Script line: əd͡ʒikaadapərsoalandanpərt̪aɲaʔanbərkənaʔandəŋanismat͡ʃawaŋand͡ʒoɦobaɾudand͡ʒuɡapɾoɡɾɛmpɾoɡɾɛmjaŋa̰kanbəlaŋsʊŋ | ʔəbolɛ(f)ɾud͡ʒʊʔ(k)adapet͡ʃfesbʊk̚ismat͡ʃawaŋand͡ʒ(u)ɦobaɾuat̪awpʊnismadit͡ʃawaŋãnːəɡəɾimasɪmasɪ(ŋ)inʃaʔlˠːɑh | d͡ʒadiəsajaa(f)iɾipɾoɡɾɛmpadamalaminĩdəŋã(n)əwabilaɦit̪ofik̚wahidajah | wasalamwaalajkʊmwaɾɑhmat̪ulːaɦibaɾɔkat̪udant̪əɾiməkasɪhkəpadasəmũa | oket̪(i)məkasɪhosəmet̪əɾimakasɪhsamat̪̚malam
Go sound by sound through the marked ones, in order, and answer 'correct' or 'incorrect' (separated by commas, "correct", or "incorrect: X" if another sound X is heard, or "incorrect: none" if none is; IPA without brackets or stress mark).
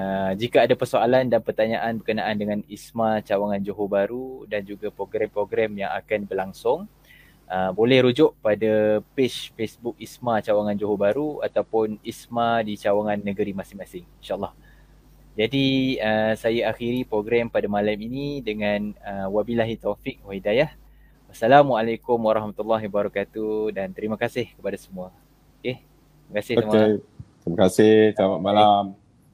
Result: incorrect: h, incorrect: p, incorrect: o, correct, incorrect: x, correct, correct